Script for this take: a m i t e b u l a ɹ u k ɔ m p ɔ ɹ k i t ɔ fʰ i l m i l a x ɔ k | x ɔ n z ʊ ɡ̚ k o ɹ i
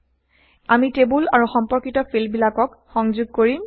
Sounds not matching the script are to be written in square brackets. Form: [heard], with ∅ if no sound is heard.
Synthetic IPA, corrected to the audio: a m i t e b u l a ɹ u [x] ɔ m p ɔ ɹ k i t ɔ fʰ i l [b] i l a [k] ɔ k | x ɔ [ŋ] z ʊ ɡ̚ k o ɹ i

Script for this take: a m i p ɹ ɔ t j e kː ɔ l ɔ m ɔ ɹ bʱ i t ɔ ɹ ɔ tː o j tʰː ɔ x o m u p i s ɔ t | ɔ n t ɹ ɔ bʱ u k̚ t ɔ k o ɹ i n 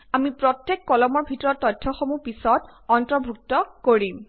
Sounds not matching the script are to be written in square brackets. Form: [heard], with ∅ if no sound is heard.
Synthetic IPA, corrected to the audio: a m i p ɹ ɔ t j e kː ɔ l ɔ m ɔ ɹ bʱ i t ɔ ɹ ɔ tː [ɔ] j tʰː ɔ x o m u p i s ɔ t | ɔ n t ɹ ɔ bʱ u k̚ t ɔ k o ɹ i [m]

